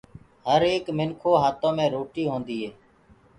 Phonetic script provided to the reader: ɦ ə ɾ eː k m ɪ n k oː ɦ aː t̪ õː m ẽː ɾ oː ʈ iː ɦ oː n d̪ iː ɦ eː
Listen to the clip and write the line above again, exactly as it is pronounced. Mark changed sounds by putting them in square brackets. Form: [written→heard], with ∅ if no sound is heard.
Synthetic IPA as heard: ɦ ə ɾ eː k m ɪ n [k→kʰ] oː ɦ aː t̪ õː m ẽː ɾ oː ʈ iː ɦ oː n d̪ iː ɦ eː